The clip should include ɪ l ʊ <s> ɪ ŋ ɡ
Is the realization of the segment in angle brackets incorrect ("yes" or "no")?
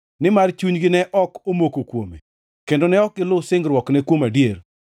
no